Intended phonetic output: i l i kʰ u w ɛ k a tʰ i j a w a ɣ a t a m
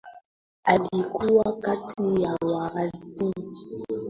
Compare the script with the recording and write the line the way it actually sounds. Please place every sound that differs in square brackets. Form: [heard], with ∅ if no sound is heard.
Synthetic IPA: [a] l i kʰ u w [a] k a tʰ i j a w a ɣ a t [i] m